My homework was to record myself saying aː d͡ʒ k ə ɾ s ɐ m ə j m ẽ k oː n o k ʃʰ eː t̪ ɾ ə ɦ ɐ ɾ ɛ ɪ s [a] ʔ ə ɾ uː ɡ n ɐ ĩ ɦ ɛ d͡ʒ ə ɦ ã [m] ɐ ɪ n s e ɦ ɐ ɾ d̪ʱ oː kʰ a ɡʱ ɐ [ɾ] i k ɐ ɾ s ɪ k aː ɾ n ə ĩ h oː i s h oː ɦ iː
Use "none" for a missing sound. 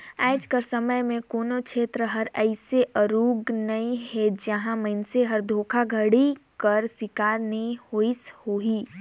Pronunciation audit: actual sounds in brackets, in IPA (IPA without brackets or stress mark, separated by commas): e, m, ɽ